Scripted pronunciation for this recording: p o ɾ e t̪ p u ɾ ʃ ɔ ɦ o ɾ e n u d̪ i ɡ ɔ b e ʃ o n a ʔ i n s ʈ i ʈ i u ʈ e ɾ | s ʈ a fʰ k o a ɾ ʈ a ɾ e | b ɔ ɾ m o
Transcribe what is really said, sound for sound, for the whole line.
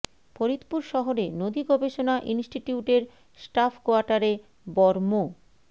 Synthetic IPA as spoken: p o ɾ i t̪ p u ɾ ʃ ɔ ɦ o ɾ e n o d̪ i ɡ ɔ b e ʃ o n a ʔ i n s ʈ i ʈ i u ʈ e ɾ | s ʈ a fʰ k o a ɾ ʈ a ɾ e | b ɔ ɾ m o